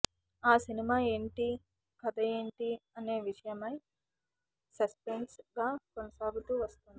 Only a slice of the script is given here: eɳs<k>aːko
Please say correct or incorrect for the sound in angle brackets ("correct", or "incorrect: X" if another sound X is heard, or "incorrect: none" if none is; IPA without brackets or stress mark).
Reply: incorrect: ɡ